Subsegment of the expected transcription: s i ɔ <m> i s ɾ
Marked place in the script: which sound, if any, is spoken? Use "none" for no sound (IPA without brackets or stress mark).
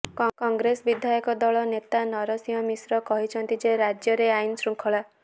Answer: m